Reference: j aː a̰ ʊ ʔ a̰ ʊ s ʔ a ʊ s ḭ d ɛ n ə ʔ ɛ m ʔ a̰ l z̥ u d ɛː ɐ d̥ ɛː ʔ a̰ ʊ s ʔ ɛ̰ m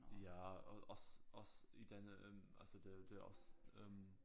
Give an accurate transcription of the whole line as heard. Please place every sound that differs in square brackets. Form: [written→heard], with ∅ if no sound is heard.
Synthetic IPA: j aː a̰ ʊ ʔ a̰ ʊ s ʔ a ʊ s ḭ d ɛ n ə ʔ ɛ m ʔ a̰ l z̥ [u→o] d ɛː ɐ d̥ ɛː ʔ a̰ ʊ s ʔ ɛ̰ m